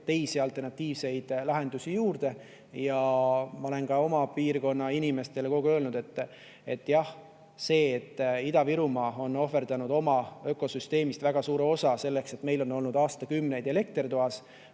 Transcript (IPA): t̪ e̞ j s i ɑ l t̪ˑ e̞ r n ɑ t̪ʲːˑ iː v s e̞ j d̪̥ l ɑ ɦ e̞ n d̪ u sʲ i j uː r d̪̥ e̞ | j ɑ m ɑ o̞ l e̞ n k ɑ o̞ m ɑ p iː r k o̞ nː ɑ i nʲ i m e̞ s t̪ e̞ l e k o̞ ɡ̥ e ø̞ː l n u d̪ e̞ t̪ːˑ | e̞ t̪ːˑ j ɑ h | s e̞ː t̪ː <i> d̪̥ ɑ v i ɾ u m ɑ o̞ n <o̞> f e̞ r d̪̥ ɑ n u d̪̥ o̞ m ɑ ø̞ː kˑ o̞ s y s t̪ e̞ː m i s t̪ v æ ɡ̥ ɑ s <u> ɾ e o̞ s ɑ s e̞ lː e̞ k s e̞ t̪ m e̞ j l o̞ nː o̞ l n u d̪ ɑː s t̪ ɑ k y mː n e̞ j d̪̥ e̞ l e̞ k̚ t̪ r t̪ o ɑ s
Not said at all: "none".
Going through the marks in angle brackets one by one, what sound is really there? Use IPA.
i, o̞, uː

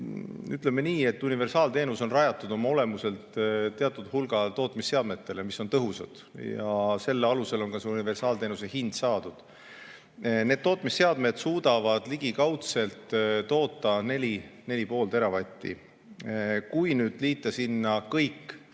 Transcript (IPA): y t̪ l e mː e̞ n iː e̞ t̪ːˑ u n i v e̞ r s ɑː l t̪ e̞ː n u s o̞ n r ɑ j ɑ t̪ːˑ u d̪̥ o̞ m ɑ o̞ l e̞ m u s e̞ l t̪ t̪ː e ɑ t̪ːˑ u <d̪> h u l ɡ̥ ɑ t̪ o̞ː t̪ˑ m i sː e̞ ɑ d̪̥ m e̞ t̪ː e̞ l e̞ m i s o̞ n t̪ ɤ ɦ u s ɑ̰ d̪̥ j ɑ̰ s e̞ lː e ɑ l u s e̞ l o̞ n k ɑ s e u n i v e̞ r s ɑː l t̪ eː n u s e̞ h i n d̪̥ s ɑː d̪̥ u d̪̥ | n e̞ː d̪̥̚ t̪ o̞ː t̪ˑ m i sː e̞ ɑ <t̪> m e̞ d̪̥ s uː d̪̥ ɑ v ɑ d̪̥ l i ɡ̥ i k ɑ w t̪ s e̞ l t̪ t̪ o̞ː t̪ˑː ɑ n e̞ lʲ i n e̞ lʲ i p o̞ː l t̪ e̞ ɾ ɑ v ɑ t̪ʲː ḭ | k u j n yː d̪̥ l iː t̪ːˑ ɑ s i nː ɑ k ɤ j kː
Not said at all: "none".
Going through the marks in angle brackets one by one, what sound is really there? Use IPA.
d̪, d̪

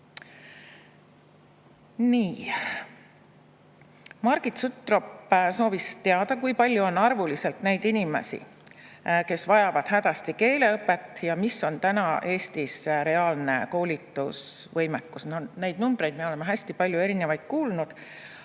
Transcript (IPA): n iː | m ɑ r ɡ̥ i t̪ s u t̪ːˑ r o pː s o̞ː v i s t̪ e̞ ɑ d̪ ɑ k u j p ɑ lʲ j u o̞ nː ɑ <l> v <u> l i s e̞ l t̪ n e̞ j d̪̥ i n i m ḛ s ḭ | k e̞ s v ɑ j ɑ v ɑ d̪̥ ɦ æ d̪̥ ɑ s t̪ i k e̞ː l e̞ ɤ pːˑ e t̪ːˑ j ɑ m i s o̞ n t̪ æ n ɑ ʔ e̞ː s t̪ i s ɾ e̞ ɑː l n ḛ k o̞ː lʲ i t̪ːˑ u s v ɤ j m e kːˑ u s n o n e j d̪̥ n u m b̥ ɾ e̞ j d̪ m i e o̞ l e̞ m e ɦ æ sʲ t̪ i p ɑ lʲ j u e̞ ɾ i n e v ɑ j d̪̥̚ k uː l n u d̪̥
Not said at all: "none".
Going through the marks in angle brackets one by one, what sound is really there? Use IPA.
r, u

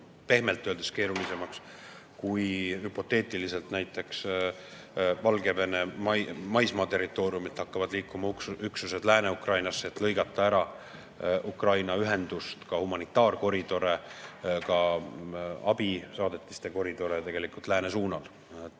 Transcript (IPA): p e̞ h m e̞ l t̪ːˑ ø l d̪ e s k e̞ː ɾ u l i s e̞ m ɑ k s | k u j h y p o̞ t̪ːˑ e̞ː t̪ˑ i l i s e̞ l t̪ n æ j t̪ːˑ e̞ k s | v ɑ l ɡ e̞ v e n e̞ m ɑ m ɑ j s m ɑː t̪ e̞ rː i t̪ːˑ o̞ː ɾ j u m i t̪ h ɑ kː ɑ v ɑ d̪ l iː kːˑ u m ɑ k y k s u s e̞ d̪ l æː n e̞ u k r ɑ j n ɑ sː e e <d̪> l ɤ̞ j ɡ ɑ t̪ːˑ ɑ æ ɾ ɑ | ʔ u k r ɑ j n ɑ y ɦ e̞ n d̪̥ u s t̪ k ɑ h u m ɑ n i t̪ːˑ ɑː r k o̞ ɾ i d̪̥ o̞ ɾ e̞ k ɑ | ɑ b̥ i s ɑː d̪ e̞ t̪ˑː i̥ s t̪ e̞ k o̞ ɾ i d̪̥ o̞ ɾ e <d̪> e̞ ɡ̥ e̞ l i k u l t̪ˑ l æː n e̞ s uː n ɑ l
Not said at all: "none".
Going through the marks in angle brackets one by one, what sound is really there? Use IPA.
t̪, t̪

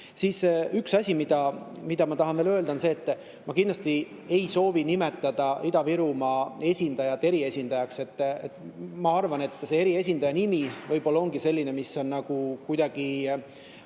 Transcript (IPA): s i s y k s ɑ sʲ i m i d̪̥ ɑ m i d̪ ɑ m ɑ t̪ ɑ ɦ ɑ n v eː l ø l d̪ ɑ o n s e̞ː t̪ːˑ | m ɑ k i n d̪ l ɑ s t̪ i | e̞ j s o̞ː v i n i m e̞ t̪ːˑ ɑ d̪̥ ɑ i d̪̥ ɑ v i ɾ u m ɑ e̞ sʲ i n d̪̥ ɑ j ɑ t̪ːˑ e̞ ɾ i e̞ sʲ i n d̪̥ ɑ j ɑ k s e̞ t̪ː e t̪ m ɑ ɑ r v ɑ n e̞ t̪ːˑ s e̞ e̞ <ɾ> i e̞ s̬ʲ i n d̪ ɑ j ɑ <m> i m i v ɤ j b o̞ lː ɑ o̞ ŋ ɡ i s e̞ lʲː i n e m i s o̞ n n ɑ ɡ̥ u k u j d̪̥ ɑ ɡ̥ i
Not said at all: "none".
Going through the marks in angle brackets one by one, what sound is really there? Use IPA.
ɾ, n

